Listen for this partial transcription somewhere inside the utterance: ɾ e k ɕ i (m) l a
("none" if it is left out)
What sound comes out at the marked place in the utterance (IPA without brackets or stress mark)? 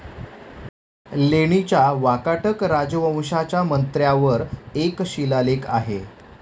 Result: none